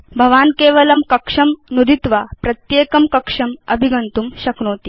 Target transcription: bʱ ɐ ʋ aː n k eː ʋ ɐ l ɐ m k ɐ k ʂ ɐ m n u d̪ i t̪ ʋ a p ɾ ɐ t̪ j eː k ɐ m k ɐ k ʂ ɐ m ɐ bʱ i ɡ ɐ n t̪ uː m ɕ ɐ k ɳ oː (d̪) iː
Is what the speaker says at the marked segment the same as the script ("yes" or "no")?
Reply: no